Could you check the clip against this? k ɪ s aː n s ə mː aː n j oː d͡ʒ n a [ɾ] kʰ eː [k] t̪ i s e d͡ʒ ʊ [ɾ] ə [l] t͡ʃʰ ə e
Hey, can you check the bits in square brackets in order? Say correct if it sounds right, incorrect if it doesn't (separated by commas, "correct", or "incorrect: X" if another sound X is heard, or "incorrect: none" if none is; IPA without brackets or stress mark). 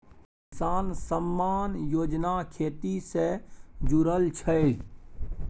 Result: incorrect: none, incorrect: none, correct, correct